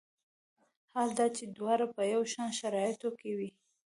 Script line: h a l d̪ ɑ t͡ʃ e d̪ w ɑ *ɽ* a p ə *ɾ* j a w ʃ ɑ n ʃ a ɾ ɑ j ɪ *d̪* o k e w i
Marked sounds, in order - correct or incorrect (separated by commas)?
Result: incorrect, incorrect, incorrect